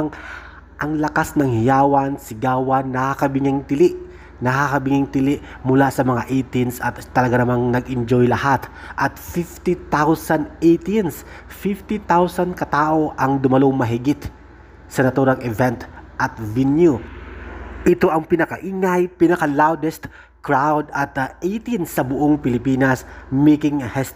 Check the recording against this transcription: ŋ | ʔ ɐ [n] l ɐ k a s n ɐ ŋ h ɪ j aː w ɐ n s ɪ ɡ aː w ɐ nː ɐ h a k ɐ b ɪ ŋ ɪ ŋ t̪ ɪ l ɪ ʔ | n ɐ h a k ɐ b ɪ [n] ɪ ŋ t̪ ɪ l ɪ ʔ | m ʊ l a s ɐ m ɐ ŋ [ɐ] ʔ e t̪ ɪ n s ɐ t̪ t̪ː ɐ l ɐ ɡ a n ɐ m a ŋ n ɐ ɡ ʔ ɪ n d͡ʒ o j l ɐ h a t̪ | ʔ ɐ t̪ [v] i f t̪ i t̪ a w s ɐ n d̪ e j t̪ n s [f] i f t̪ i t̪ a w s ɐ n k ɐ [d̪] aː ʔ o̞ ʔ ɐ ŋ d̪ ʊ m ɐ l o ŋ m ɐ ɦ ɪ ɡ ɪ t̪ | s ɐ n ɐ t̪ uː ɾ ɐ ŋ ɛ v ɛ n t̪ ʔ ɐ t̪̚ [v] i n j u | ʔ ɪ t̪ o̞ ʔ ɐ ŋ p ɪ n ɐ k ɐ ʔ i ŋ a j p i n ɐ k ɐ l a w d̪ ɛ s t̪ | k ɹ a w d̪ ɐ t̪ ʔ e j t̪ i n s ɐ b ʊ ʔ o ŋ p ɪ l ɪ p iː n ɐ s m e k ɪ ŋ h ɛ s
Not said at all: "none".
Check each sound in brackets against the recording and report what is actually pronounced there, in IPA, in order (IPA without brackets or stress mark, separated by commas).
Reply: ŋ, ŋ, a, f, f, t̪, v